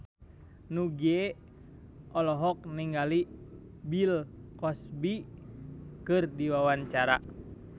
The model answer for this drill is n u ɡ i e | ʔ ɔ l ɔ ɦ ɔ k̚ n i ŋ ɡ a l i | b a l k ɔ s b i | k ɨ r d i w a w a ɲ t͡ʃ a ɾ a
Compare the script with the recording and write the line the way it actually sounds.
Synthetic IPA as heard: n u ɡ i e | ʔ ɔ l ɔ ɦ ɔ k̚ n i ŋ ɡ a l i | b i l k ɔ s b i | k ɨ r d i w a w a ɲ t͡ʃ a ɾ a